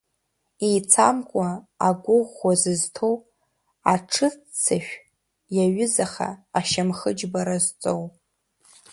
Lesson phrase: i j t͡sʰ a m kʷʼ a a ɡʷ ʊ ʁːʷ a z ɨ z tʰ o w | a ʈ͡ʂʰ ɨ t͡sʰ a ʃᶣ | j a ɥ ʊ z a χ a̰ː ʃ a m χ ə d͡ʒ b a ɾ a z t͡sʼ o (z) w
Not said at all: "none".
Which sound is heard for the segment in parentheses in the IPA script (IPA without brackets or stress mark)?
none